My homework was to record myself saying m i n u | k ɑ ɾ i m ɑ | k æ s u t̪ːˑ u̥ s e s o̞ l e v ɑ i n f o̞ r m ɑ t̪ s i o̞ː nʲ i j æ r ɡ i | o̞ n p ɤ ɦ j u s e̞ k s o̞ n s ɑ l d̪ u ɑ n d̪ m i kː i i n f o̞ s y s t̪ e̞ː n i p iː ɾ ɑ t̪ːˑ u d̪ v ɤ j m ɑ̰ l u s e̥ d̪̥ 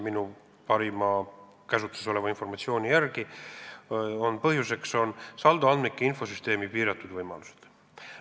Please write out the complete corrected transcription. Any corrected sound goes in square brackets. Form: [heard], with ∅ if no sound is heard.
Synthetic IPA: m i n u | [p] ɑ ɾ i m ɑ | k æ s u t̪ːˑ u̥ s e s o̞ l e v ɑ i n f o̞ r m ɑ t̪ s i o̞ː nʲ i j æ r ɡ i | o̞ n p ɤ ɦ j u s e̞ k s o̞ n s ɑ l d̪ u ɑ n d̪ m i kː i i n f o̞ s y s t̪ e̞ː [m] i p iː ɾ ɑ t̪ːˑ u d̪ v ɤ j m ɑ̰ l u s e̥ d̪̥